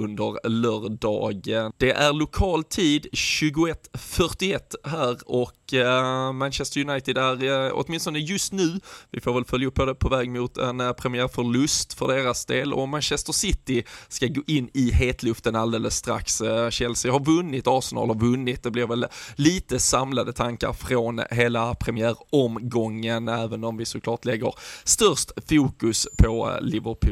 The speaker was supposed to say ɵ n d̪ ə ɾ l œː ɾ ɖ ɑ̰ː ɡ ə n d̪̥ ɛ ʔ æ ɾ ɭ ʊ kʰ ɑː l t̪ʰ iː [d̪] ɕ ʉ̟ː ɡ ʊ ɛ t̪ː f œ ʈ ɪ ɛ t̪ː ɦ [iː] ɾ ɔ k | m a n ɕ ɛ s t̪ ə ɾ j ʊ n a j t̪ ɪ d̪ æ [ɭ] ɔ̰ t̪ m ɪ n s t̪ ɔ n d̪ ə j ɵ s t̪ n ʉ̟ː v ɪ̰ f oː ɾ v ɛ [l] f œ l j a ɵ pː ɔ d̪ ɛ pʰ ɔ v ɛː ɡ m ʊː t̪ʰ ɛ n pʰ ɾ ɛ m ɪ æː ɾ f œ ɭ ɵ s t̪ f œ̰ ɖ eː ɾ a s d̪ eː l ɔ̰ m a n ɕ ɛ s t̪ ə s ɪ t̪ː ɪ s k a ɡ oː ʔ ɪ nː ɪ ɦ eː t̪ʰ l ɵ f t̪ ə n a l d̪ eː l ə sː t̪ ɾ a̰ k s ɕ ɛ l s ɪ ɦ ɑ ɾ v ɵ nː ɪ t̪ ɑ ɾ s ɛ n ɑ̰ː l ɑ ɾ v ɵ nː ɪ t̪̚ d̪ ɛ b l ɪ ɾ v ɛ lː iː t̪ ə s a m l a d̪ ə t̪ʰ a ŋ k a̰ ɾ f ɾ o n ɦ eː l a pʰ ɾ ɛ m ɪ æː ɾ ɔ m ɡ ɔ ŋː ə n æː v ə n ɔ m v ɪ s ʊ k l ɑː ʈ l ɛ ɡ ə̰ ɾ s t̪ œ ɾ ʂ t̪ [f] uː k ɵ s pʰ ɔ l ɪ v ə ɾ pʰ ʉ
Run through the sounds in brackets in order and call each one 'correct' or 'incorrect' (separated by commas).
correct, incorrect, incorrect, correct, correct